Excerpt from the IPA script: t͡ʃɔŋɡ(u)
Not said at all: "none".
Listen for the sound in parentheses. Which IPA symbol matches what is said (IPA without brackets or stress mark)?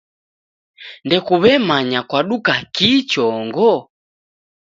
ɔ